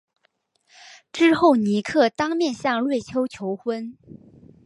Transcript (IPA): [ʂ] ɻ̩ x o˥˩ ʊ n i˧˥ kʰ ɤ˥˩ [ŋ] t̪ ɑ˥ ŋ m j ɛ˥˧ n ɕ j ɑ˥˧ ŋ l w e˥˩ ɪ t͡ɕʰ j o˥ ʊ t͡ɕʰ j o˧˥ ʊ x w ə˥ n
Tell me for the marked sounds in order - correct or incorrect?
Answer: incorrect: ʈ͡ʂ, incorrect: none

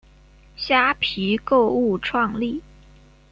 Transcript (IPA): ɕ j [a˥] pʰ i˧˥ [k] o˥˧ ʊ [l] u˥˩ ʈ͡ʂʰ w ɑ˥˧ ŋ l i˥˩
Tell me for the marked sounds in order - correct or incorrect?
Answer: correct, correct, incorrect: none

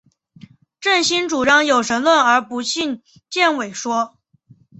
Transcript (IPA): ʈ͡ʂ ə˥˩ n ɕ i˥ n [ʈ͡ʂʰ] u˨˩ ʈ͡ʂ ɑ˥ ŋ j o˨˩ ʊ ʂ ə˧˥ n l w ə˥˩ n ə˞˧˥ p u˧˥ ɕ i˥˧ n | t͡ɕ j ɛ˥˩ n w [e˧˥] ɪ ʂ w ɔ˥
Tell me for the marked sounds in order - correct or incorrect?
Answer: incorrect: ʈ͡ʂ, incorrect: e˨˩

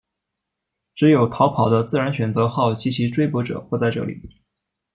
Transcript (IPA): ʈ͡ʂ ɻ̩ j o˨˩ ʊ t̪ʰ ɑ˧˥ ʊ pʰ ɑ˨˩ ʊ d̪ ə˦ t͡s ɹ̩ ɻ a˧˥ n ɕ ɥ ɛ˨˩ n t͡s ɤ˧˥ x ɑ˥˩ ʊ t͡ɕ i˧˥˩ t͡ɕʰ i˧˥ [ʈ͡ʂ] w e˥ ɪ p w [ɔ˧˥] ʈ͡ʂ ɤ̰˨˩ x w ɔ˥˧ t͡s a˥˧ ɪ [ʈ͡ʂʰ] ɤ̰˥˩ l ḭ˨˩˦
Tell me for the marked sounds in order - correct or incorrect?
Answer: correct, correct, incorrect: ʈ͡ʂ

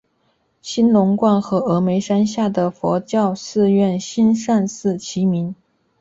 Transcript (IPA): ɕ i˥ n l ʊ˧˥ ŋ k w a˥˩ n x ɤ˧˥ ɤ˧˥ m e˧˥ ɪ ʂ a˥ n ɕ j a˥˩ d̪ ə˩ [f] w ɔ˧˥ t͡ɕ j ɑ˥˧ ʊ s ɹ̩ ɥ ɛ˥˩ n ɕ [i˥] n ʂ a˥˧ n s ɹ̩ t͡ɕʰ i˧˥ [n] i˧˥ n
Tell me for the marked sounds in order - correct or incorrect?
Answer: correct, correct, incorrect: m

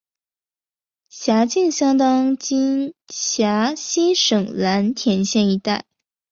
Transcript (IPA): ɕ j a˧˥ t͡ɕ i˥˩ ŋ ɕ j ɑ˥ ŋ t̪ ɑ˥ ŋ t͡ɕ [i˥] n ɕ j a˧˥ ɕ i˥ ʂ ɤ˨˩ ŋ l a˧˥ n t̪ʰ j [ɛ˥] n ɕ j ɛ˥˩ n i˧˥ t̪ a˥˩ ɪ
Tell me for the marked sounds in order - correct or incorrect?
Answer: correct, incorrect: ɛ˧˥

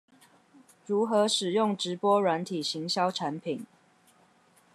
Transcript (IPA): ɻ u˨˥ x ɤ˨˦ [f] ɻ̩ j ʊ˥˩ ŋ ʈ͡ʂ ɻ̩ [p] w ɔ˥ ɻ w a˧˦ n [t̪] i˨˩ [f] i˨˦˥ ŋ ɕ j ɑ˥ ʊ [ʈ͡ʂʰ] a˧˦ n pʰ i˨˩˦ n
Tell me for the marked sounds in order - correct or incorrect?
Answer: incorrect: ʂ, correct, incorrect: t̪ʰ, incorrect: ɕ, correct

